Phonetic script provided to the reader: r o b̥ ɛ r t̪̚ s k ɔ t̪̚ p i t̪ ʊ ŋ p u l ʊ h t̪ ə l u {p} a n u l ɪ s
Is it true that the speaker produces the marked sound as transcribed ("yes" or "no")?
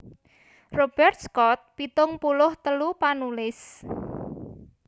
yes